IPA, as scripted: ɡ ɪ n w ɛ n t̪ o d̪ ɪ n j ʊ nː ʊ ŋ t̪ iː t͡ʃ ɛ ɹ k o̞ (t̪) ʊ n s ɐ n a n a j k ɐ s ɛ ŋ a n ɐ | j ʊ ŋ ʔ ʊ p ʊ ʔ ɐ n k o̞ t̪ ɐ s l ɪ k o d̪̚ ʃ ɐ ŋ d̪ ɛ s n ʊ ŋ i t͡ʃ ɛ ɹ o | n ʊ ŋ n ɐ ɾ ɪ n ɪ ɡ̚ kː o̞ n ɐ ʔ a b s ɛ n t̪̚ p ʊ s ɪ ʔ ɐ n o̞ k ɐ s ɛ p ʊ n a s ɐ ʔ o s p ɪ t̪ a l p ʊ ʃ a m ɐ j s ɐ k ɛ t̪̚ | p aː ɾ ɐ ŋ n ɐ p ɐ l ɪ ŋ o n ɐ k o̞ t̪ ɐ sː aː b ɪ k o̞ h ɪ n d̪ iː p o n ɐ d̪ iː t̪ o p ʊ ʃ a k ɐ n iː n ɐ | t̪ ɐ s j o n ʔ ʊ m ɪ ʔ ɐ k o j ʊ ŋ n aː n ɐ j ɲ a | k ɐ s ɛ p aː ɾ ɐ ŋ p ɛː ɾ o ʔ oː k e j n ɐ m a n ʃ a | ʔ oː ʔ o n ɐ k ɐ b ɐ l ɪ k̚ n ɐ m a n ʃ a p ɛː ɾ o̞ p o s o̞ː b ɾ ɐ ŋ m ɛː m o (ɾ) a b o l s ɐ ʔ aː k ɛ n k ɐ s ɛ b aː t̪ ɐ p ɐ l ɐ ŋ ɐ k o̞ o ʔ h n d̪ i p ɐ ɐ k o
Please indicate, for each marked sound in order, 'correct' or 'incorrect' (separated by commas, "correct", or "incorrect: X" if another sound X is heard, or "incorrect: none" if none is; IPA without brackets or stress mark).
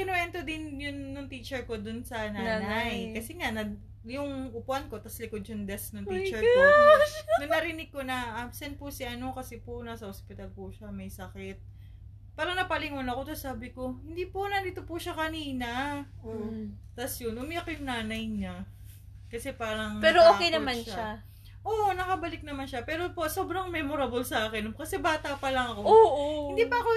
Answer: incorrect: d̪, correct